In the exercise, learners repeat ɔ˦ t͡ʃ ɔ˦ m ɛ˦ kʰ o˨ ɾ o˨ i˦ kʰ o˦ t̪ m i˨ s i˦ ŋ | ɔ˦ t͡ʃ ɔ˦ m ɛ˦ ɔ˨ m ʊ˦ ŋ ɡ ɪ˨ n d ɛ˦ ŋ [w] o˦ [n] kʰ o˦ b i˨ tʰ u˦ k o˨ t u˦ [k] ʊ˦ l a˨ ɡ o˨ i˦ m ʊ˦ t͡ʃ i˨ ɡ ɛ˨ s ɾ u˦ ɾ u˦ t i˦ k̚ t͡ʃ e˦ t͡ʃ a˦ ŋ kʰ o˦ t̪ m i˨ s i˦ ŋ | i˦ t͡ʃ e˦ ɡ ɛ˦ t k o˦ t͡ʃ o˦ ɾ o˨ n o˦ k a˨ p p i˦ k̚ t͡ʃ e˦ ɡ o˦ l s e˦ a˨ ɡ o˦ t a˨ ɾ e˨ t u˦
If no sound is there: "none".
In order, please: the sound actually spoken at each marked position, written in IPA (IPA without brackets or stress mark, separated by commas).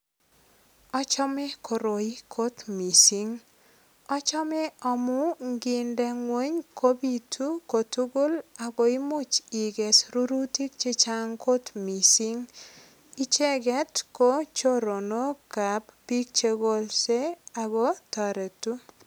w, ɲ, ɡ